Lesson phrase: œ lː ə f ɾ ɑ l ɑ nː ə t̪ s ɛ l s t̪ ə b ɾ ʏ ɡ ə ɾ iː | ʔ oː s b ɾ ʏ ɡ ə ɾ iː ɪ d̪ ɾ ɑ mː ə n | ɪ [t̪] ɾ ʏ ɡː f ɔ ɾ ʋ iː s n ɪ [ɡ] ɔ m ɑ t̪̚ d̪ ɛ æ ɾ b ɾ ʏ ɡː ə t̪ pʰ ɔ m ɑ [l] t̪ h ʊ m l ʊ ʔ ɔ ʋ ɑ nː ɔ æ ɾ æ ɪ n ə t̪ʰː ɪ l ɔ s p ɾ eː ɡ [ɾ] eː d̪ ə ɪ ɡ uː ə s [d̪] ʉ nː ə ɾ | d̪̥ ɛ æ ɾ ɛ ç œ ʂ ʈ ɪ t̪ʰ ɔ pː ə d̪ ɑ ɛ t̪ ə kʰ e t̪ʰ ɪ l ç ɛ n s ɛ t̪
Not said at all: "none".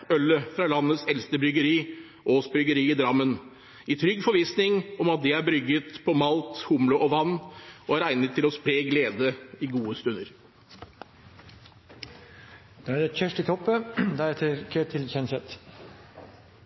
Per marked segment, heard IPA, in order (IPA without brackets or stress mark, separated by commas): t̪ʰ, ŋ, l, l, t̪